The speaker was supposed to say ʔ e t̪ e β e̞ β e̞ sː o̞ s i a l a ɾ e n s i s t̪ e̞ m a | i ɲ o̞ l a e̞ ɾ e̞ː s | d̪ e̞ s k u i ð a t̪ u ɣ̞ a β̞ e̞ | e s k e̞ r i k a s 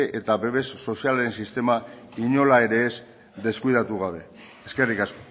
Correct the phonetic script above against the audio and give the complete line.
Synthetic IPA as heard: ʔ e t̪ a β e̞ β e̞ sː o̞ s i a l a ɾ e n s i s t̪ e̞ m a | i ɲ o̞ l a e̞ ɾ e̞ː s | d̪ e̞ s k u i ð a t̪ u ɣ̞ a β̞ e̞ | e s k e̞ r i k a s